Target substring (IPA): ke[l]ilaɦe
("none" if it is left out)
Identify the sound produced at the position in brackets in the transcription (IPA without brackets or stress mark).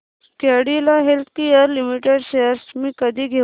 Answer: ɽ